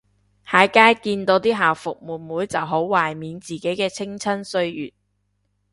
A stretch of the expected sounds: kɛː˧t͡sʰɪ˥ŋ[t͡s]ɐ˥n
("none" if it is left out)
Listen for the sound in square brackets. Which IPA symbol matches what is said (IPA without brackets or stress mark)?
t͡sʰ